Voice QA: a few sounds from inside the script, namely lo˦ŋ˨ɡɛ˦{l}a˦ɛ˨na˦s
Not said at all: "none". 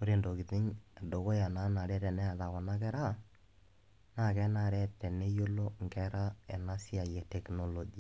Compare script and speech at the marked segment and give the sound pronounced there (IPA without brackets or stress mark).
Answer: ɾ